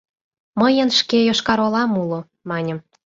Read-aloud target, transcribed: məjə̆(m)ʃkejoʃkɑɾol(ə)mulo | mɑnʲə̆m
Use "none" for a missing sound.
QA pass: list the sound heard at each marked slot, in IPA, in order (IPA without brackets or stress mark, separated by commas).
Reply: n, ɑ